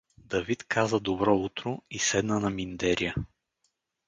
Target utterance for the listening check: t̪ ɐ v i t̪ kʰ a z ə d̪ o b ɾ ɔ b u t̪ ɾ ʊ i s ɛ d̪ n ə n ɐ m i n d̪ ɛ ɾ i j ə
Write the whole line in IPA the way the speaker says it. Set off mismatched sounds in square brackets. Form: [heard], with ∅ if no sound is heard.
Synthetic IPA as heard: [d̪] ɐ v i t̪ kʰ a z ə d̪ o b ɾ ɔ [∅] u t̪ ɾ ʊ i s ɛ d̪ n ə n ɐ m i n d̪ ɛ ɾ i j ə